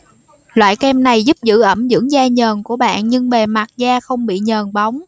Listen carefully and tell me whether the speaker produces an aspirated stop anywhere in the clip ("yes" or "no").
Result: no